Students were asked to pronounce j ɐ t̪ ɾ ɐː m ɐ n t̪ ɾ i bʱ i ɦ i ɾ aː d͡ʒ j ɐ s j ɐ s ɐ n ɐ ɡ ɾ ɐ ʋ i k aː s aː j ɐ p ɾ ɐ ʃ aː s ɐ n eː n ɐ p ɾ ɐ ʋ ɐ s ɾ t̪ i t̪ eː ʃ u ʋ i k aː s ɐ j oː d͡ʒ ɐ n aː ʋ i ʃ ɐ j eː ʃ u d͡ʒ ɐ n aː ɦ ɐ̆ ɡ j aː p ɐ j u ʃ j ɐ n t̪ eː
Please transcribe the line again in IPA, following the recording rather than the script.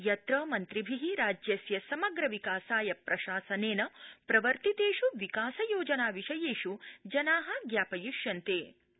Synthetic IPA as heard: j ɐ t̪ ɾ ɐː m ɐ n t̪ ɾ i bʱ i ɦ i ɾ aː d͡ʒ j ɐ s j ɐ s ɐ m ɐ ɡ ɾ ɐ ʋ i k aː s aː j ɐ p ɾ ɐ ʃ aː s ɐ n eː n ɐ p ɾ ɐ ʋ ɐ ɾ t̪ i t̪ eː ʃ u ʋ i k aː s ɐ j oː d͡ʒ ɐ n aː ʋ i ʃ ɐ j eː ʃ u d͡ʒ ɐ n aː ɦ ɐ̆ ɡ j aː p ɐ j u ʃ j ɐ n t̪ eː